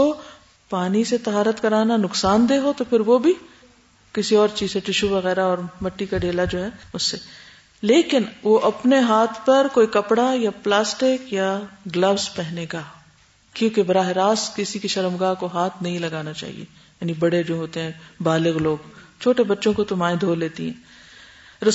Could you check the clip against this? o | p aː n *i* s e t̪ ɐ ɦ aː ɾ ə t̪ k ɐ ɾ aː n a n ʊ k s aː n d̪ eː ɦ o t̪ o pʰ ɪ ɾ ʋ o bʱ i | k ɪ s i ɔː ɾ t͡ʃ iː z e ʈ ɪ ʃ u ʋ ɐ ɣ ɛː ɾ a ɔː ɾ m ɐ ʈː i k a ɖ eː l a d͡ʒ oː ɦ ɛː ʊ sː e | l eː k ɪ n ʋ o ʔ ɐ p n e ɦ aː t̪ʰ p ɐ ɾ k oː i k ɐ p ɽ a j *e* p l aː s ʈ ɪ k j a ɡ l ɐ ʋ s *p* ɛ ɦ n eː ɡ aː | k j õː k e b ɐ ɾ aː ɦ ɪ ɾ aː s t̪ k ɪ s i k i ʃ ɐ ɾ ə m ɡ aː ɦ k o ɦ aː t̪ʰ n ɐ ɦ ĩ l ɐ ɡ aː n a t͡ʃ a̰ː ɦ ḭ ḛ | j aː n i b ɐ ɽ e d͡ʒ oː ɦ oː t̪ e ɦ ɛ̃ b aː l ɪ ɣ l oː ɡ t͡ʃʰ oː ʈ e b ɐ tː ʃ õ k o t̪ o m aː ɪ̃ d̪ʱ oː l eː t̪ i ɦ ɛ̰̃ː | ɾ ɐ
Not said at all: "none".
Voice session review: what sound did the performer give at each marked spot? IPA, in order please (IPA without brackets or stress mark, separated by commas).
i, a, p